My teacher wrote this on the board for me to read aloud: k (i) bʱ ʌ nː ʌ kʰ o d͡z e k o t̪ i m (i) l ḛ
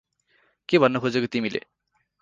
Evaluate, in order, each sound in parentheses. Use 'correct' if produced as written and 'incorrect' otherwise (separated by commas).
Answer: incorrect, correct